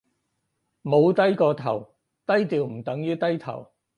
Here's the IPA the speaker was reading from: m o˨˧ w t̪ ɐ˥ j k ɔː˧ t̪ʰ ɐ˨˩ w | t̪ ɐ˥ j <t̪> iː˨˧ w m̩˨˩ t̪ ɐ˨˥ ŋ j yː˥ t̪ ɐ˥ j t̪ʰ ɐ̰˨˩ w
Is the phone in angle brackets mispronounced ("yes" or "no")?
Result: no